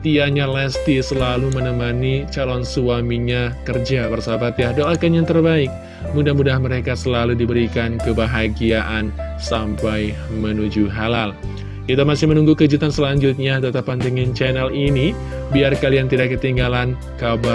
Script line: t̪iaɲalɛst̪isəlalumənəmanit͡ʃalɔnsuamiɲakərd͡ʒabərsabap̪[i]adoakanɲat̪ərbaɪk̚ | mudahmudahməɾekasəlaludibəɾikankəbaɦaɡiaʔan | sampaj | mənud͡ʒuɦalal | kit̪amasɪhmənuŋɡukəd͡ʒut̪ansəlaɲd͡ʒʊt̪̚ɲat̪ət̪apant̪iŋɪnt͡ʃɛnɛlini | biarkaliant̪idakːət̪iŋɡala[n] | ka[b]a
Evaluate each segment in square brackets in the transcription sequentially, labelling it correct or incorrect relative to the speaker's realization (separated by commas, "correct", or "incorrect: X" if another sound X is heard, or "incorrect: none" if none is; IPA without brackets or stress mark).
incorrect: j, correct, correct